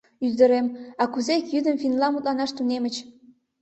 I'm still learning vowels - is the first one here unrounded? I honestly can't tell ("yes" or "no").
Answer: no